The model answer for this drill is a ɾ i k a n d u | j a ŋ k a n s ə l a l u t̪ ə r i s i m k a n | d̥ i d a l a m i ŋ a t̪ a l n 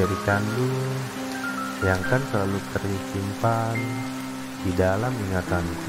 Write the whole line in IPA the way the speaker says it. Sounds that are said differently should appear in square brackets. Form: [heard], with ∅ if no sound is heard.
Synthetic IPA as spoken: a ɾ i k a n d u | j a ŋ k a n s ə l a l u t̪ ə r i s i m [p] a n | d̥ i d a l a m i ŋ a t̪ a [∅] n